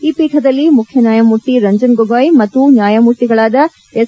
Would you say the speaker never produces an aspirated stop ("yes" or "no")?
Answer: no